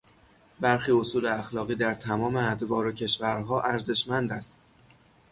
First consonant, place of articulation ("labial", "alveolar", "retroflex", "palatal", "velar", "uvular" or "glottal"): labial